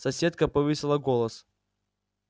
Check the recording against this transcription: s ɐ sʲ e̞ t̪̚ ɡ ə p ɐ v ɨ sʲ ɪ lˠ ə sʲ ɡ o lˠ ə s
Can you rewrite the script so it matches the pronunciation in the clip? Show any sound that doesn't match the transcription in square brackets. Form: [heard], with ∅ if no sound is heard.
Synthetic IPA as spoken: s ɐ sʲ e̞ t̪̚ [k] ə p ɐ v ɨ sʲ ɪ lˠ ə [∅] ɡ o lˠ ə s